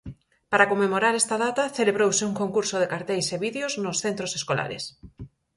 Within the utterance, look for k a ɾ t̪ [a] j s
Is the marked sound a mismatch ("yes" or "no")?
yes